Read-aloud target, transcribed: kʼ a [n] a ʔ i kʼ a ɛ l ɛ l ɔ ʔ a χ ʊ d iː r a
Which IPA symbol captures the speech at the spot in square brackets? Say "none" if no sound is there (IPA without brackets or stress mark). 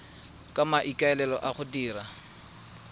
m